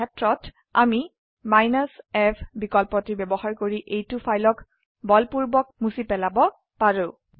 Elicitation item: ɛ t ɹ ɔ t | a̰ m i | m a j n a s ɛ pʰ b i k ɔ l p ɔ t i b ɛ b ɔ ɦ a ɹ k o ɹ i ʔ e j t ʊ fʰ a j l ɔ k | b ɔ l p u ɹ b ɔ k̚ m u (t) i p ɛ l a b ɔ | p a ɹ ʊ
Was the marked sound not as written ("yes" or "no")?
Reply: yes